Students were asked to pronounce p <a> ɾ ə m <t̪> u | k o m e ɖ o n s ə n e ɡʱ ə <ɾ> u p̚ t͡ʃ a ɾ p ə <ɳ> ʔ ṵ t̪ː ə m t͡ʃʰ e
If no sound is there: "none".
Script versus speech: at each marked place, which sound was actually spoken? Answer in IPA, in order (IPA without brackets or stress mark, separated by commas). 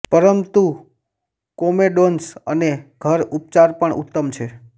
ə, t̪, ɾ, ɳ